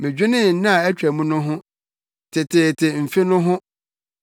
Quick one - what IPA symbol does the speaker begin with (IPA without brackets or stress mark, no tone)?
m